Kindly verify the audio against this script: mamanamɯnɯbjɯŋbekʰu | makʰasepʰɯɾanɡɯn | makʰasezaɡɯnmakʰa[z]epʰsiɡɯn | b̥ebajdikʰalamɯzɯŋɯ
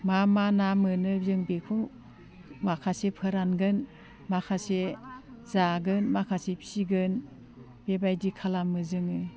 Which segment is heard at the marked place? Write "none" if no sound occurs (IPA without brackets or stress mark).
s